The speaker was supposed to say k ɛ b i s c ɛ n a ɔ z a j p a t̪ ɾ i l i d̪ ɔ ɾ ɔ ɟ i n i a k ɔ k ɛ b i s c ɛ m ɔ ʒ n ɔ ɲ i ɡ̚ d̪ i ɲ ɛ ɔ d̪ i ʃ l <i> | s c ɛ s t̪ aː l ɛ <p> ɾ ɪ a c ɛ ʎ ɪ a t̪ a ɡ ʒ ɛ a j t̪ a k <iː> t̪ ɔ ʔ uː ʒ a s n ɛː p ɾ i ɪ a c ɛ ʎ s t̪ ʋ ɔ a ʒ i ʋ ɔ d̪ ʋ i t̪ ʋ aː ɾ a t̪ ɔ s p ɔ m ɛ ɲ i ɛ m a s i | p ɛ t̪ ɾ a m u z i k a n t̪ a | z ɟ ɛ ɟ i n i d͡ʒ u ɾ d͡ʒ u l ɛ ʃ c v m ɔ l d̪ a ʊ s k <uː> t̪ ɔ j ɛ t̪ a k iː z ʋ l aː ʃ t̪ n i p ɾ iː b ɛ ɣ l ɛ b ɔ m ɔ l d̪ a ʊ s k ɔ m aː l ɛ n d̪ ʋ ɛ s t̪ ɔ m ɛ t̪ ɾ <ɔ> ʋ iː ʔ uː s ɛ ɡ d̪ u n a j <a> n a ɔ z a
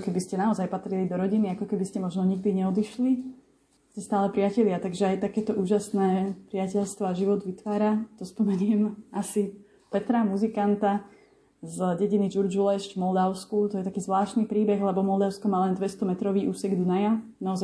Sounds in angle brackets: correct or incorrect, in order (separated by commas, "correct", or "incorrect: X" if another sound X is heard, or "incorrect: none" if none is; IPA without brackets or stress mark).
correct, correct, incorrect: ɛː, incorrect: u, correct, correct